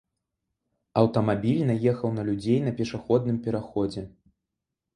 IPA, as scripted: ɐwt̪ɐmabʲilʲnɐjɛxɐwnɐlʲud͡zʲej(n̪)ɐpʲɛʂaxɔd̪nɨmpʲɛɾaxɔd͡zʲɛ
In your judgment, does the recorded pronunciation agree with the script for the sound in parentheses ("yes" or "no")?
yes